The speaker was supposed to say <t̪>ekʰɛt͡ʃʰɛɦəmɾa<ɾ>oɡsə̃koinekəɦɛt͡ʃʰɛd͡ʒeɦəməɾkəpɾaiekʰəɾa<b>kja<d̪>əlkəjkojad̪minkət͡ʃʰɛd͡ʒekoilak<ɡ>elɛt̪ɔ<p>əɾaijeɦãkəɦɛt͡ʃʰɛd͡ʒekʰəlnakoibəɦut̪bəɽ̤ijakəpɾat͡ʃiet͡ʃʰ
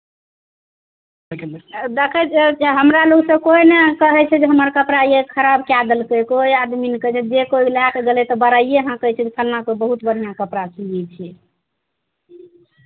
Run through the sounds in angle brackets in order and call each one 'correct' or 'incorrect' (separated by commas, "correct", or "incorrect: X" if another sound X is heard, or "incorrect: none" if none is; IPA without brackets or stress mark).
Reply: incorrect: d̪, incorrect: l, correct, correct, correct, incorrect: b